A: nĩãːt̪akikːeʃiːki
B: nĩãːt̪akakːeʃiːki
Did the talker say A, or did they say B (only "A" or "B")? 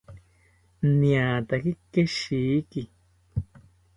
A